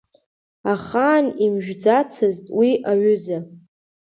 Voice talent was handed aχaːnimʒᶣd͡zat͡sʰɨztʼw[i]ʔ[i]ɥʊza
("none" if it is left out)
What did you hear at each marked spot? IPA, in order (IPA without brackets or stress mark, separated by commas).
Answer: i, a